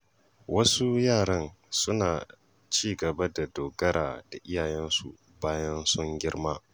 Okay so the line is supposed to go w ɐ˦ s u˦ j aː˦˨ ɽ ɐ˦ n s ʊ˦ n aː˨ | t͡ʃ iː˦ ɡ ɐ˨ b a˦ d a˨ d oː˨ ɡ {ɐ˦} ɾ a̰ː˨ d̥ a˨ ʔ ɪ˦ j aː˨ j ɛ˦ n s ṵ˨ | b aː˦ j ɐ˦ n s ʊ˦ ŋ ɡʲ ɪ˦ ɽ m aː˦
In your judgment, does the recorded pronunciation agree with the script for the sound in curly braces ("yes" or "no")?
yes